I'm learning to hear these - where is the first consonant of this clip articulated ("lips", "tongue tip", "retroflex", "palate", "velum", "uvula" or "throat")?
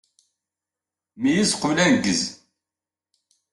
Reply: lips